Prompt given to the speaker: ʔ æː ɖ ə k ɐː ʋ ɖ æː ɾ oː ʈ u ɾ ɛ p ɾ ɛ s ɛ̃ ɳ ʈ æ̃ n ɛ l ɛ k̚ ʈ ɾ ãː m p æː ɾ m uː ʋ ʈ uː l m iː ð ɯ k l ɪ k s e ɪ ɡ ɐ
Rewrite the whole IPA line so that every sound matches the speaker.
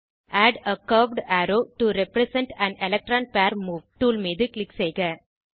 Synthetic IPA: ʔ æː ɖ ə k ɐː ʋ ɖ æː ɾ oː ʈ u ɾ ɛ p ɾ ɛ s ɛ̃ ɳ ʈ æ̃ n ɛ l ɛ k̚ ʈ ɾ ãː n p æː ɾ m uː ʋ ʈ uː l m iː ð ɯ k l ɪ k s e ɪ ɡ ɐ

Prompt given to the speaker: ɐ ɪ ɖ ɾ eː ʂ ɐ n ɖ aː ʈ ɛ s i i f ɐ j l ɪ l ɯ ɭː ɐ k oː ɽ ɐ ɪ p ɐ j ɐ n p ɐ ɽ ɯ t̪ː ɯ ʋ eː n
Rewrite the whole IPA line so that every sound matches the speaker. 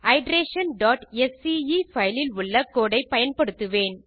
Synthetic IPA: ɐ ɪ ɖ ɾ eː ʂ ɐ n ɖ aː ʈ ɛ s i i f ɐ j l ɪ l ʊ ɭː ɐ k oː ɽ ɐ ɪ p ɐ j ɐ n p ɐ ɽ ɯ t̪ː ɯ ʋ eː n

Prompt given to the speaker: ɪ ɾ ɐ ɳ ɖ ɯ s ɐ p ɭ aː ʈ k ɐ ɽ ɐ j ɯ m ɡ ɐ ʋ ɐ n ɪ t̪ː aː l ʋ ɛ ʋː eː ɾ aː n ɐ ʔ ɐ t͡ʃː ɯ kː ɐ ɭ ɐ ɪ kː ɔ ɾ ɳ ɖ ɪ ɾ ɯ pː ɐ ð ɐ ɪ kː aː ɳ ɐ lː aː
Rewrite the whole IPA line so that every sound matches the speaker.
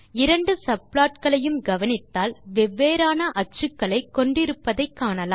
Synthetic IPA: ɪ ɾ ɐ ɳ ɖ ɯ s ɐ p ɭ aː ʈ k ɐ ɭ ɐ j ɯ m ɡ ɐ ʋ ɐ n ɪ t̪ː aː l ʋ ɛ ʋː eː ɾ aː n ɐ ʔ ɐ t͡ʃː ɯ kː ɐ ɭ ɐ ɪ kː ɔ ɳ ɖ ɪ ɾ ɯ pː ɐ ð ɐ ɪ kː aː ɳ ɐ l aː

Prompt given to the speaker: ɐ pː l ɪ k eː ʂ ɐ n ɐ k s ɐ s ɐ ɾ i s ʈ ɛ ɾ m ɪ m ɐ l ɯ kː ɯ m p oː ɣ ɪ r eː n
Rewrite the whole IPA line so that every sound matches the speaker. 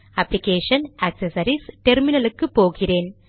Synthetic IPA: ɐ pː l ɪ k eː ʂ ɐ n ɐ k s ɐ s ɐ ɾ i s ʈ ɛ ɾ m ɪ n ɐ l ɯ kː ɯ p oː ɣ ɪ r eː n

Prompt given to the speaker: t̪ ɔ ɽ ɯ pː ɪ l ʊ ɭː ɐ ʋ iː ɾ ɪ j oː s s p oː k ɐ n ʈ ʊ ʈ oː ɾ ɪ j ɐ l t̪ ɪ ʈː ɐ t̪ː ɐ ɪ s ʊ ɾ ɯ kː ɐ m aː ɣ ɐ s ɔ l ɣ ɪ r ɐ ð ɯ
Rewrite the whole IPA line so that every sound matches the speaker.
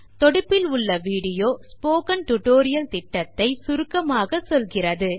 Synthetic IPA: t̪ ɔ ɽ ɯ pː ɪ l ʊ ɭː ɐ ʋ iː ɽ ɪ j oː s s p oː k ɐ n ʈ ʊ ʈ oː ɾ ɪ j ɐ l t̪ ɪ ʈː ɐ t̪ː ɐ ɪ s ʊ ɾ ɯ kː ɐ m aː ɣ ɐ s ɔ l ɣ ɪ r ɐ ð ɯ

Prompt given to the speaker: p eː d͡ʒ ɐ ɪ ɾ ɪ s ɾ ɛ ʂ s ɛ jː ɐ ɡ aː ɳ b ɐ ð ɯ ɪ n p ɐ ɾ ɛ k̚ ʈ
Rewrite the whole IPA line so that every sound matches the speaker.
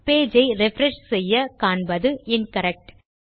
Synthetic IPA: p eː d͡ʒ ɐ ɪ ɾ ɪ f ɾ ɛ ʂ s ɛ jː ɐ k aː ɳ b ɐ ð ɯ ɪ n k ɐ ɾ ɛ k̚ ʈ

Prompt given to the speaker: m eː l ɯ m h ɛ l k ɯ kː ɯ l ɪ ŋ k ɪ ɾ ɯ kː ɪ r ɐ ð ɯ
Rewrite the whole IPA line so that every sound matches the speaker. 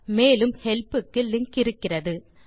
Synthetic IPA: m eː l ɯ m h ɛ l p ɯ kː ɯ l ɪ ŋ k ɪ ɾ ɯ kː ɪ r ɐ ð ɯ

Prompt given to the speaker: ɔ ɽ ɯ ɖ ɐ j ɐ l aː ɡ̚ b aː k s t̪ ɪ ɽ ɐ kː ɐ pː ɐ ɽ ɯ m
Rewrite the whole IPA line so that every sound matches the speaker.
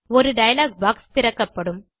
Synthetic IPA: ɔ ɾ ɯ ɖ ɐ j ɐ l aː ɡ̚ b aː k s t̪ ɪ ɾ ɐ kː ɐ pː ɐ ɽ ɯ m

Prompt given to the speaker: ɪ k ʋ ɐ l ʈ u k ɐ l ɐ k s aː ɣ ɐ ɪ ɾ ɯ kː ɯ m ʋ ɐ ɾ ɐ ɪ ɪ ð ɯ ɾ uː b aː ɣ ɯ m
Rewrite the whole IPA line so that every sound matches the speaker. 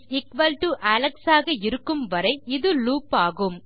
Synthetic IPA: ɪ k ʋ ɐ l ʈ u ʔ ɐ l ɐ k s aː ɣ ɐ ɪ ɾ ɯ kː ɯ m ʋ ɐ ɾ ɐ ɪ ɪ ð ɯ l uː p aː ɣ ɯ m

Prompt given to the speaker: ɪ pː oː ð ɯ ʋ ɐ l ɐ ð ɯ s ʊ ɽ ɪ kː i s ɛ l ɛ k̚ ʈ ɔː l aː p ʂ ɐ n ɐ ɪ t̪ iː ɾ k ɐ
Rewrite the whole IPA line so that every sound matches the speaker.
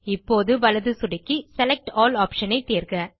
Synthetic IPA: ɪ pː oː ð ɯ ʋ ɐ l ɐ ð ɯ s ʊ ɽ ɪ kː i s ɛ l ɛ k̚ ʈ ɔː l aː p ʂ ɐ n ɐ ɪ t̪ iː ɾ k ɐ

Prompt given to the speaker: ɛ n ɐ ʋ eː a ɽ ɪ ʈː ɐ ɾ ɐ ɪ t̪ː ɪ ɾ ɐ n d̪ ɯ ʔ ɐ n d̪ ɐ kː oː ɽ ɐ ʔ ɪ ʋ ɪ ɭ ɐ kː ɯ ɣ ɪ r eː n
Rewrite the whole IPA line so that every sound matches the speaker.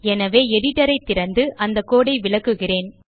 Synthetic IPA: ɛ n ɐ ʋ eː ɛ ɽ ɪ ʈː ɐ ɾ ɐ ɪ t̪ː ɪ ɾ ɐ n d̪ ɯ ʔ ɐ n d̪ ɐ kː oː ɽ ɐ ɪ ʋ ɪ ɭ ɐ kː ɯ ɣ ɪ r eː n

